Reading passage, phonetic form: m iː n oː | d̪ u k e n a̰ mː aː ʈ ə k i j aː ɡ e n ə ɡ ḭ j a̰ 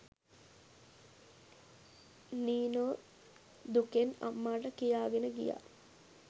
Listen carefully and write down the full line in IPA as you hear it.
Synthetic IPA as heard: n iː n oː | d̪ u k e n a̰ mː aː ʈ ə k i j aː ɡ e n ə ɡ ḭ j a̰